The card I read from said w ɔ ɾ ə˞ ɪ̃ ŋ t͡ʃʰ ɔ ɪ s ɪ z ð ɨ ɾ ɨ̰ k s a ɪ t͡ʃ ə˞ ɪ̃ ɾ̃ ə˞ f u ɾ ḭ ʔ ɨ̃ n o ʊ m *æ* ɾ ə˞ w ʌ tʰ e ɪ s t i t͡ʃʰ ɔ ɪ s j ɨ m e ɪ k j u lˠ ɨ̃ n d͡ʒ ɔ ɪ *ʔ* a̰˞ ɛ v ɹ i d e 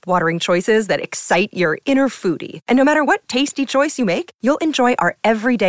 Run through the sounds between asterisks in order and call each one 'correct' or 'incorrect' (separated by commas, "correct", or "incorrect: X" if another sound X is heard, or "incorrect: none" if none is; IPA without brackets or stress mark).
correct, correct